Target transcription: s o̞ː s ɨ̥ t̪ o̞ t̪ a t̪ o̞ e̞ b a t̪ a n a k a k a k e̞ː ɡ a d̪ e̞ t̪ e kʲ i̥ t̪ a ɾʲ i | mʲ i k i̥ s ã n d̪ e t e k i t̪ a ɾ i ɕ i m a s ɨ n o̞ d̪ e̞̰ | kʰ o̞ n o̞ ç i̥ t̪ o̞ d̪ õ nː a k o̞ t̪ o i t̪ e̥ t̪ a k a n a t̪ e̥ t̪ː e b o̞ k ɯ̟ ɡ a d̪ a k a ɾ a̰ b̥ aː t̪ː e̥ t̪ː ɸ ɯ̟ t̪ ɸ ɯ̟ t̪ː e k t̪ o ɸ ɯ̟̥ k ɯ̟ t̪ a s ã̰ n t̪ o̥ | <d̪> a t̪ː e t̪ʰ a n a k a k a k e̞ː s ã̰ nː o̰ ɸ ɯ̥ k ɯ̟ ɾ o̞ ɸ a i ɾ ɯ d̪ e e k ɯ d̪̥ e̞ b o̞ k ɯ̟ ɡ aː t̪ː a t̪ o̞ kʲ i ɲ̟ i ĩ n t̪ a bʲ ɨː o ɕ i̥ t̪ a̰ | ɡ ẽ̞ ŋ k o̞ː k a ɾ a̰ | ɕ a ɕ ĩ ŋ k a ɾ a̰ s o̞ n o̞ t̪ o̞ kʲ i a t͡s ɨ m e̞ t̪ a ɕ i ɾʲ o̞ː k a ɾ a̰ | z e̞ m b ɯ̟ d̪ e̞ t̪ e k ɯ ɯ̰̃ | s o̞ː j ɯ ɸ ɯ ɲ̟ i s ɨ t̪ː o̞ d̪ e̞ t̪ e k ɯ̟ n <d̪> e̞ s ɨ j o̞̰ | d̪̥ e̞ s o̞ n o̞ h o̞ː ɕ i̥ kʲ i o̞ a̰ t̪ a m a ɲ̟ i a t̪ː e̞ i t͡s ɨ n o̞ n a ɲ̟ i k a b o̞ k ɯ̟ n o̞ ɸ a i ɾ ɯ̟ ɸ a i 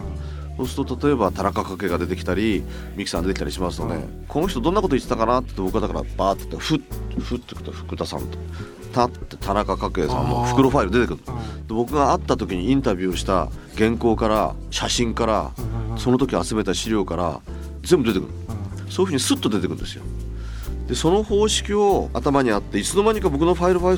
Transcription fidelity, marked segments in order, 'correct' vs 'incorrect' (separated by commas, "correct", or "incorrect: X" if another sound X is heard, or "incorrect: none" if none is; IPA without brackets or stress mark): incorrect: t̪, correct